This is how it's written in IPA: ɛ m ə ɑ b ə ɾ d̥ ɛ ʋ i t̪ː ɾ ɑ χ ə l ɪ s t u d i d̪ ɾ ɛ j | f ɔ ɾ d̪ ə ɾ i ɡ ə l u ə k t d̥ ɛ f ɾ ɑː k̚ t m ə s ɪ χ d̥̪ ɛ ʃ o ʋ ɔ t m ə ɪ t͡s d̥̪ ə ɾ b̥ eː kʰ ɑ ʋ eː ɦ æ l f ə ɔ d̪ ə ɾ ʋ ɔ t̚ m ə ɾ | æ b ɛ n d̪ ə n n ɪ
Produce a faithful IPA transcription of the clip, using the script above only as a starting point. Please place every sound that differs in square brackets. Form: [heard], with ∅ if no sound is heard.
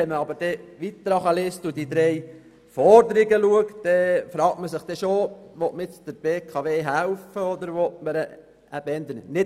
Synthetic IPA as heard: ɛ m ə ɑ b ə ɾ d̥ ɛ ʋ i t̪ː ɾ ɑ χ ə l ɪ s t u d i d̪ ɾ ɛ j | f ɔ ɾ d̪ ə ɾ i ɡ ə l u ə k t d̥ ɛ f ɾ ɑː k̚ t m ə s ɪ χ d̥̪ ɛ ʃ o ʋ ɔ t m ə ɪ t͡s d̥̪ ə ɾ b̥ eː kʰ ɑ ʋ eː ɦ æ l f ə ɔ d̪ ə ɾ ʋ ɔ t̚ m ə ɾ | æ b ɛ n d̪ ə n n ɪ